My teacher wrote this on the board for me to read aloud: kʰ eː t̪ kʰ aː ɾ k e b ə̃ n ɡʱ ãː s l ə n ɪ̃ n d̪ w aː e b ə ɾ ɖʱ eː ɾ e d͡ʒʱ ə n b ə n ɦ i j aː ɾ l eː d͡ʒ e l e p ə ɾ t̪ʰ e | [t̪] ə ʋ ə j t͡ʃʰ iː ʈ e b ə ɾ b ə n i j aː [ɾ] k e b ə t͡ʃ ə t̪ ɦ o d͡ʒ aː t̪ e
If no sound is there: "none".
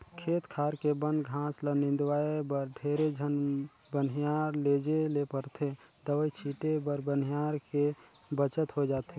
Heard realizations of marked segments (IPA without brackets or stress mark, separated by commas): d̪, ɾ